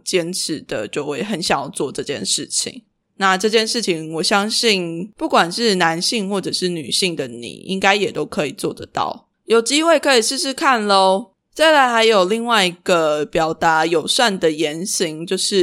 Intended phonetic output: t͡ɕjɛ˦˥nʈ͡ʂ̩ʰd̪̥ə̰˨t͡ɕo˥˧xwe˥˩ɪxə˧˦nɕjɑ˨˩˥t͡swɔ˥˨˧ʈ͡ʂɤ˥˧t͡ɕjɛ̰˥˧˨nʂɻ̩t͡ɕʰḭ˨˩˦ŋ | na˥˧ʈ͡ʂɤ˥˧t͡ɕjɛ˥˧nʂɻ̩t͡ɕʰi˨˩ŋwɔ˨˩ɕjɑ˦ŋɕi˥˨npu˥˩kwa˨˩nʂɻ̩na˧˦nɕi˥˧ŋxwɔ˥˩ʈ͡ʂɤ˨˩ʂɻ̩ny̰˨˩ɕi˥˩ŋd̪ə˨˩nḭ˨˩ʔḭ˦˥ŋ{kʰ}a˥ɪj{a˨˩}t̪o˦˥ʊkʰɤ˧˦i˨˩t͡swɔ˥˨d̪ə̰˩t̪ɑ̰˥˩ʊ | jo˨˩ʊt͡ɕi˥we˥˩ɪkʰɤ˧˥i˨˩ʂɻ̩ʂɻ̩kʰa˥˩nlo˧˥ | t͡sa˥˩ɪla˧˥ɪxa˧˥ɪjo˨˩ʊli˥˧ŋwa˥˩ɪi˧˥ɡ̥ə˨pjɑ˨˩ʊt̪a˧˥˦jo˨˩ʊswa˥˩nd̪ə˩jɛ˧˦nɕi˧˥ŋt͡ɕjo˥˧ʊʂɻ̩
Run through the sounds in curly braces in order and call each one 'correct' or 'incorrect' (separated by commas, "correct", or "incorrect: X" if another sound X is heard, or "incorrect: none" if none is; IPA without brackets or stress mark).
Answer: incorrect: k, incorrect: ɛ˨˩